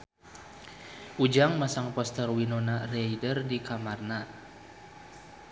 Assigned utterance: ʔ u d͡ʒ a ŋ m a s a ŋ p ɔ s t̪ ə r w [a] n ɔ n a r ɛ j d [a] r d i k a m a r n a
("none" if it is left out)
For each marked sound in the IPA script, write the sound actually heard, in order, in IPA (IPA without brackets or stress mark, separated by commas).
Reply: i, ə